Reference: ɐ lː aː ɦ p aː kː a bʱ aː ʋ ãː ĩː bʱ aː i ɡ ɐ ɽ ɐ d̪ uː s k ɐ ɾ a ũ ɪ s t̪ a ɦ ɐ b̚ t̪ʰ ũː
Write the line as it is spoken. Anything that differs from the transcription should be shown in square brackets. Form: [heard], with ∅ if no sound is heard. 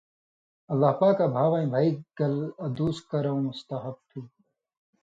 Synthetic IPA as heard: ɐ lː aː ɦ p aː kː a bʱ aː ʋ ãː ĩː bʱ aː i ɡ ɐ [l] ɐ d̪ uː s k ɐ ɾ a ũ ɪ s t̪ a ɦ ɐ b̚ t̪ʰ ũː